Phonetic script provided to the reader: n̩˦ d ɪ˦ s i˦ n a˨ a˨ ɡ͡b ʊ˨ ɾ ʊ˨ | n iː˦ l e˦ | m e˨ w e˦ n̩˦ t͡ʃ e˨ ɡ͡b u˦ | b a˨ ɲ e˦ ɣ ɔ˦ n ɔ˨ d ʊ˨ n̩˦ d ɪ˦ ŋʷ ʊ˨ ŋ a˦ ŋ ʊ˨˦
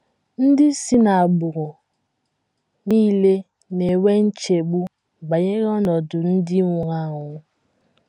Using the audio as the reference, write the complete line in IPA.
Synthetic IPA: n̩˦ d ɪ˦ s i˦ n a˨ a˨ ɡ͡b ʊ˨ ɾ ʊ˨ | n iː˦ l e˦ | n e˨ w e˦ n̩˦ t͡ʃ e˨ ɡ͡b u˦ | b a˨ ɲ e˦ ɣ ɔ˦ n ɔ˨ d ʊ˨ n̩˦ d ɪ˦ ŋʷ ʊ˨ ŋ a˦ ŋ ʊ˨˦